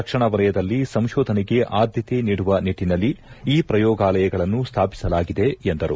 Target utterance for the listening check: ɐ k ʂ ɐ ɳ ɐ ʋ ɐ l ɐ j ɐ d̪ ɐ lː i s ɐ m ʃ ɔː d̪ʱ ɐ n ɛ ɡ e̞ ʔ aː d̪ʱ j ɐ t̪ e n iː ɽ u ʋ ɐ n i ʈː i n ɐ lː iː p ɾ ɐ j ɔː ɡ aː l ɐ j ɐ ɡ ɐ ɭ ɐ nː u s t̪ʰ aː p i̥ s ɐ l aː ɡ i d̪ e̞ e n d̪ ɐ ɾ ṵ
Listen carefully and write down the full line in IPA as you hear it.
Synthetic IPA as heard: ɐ k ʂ ɐ ɳ ɐ ʋ ɐ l ɐ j ɐ d̪ ɐ lː i s ɐ m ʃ ɔː d̪ʱ ɐ n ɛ ɡ e̞ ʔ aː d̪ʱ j ɐ t̪ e n iː ɽ u ʋ ɐ n i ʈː i n ɐ lː iː p ɾ ɐ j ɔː ɡ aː l ɐ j ɐ ɡ ɐ ɭ ɐ nː u s t̪ʰ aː p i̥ s ɐ l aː ɡ i d̪ e̞ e n d̪ ɐ ɾ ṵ